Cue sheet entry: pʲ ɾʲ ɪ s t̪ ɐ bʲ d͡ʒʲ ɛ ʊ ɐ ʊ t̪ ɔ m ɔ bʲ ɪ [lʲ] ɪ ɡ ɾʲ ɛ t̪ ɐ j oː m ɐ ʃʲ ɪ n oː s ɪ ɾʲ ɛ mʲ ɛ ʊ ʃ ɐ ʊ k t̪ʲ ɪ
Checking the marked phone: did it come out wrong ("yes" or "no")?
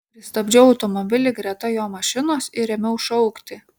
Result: no